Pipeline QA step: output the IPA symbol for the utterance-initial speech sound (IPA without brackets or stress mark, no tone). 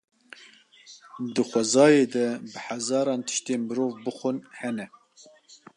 d̪